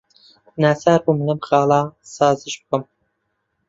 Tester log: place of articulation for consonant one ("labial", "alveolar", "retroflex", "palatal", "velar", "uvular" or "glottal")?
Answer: alveolar